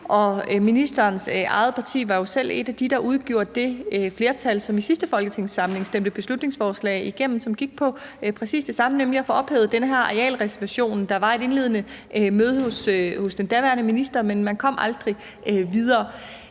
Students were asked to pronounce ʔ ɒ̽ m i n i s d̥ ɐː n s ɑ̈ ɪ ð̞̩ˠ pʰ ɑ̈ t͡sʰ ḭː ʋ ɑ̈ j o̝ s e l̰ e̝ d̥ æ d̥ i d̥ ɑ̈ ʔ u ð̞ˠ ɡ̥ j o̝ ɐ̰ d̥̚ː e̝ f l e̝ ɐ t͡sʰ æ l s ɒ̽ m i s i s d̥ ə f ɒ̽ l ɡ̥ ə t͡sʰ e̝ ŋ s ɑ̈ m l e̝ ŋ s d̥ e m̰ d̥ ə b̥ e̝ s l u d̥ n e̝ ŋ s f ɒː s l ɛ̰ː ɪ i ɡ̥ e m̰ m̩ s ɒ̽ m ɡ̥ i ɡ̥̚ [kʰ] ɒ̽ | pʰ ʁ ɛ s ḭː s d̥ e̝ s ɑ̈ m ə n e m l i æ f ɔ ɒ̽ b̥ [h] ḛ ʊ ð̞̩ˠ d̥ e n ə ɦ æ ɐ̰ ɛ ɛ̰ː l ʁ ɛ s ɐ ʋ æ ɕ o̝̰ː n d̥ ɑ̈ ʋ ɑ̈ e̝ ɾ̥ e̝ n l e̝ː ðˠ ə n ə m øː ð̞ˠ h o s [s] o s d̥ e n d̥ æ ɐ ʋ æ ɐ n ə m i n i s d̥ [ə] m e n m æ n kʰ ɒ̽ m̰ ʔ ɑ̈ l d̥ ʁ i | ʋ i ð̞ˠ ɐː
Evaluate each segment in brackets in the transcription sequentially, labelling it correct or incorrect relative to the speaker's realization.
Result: incorrect, correct, incorrect, incorrect

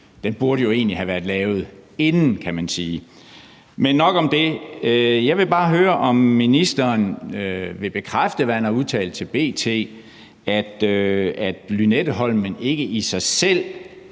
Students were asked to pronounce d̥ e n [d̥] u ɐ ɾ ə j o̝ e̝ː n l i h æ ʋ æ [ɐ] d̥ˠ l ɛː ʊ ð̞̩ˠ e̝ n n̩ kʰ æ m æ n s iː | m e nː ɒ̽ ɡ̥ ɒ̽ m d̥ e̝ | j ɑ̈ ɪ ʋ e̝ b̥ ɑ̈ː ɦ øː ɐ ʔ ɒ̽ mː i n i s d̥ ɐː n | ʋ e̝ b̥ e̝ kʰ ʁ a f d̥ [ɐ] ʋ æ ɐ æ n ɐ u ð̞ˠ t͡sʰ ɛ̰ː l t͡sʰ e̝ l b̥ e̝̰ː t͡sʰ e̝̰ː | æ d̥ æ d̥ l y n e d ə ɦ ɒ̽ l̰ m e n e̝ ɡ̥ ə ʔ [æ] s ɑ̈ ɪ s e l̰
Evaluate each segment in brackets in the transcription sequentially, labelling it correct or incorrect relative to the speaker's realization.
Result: incorrect, correct, incorrect, incorrect

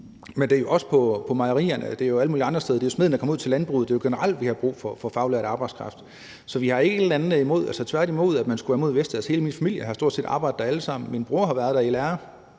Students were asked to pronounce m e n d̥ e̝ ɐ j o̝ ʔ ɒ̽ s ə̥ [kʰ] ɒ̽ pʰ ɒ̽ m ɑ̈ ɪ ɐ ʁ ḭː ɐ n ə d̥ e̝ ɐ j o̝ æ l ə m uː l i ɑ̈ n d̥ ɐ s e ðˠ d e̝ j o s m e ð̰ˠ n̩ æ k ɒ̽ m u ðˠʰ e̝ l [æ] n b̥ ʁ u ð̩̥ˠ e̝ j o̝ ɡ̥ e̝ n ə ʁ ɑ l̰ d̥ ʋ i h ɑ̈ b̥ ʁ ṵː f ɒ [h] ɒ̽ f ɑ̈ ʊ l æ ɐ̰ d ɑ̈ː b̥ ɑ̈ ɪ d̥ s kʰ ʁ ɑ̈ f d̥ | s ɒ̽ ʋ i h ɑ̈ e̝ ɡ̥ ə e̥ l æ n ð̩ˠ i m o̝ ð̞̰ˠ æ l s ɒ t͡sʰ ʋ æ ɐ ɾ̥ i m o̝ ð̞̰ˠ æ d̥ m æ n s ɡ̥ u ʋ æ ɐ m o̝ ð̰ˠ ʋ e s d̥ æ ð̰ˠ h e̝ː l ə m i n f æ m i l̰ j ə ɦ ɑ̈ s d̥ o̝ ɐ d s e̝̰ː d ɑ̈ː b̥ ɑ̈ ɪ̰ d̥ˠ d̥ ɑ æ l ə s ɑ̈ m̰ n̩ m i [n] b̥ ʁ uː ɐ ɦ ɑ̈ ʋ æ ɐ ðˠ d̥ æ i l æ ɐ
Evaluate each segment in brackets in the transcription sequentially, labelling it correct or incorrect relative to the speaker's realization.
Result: incorrect, correct, incorrect, correct

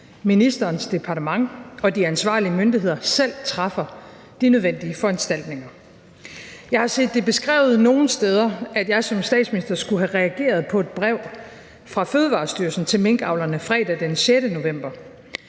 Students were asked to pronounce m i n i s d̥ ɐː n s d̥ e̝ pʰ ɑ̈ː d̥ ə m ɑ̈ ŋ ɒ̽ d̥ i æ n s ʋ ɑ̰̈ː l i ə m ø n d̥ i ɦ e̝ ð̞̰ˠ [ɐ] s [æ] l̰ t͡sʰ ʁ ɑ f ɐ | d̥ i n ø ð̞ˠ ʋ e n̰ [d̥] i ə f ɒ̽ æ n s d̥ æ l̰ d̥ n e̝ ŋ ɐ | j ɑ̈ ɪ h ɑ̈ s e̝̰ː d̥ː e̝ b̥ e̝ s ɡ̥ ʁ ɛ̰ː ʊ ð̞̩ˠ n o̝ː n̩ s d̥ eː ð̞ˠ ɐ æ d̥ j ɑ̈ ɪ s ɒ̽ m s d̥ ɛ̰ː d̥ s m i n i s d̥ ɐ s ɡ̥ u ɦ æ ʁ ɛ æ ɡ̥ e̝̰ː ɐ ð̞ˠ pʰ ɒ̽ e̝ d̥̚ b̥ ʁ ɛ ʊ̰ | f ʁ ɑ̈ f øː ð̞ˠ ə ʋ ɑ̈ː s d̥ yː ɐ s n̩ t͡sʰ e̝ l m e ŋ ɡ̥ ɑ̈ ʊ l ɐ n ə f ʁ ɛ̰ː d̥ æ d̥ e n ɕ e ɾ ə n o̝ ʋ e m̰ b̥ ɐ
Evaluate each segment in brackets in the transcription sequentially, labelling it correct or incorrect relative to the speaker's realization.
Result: correct, incorrect, correct

